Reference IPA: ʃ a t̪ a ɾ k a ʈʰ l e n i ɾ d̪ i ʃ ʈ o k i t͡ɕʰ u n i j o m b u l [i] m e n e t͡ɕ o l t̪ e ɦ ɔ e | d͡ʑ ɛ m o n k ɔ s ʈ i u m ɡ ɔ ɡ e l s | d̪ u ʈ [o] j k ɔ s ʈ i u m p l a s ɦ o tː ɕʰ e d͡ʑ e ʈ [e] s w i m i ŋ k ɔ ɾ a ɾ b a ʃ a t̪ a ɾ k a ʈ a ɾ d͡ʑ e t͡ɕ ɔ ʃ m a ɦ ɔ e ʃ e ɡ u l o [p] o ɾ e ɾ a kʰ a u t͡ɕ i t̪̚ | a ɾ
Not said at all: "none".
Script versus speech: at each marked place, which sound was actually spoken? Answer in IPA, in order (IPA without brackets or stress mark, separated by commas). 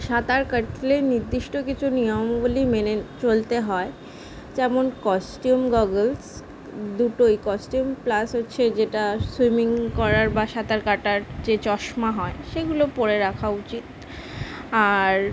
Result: i, o, a, p